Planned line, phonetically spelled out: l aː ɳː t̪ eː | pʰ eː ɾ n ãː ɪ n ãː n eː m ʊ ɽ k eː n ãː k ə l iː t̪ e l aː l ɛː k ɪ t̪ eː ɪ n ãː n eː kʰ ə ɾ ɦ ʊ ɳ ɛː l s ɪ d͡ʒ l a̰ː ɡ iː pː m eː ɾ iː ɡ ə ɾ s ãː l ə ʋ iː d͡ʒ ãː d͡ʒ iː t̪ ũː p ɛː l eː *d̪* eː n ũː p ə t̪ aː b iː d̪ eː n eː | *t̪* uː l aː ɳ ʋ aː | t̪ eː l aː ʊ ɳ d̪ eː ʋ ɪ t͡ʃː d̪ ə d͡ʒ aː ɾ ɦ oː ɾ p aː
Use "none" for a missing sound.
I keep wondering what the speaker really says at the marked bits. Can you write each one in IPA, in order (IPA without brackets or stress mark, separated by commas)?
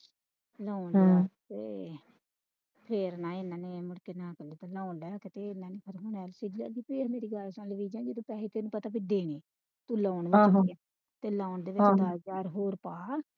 t̪, t̪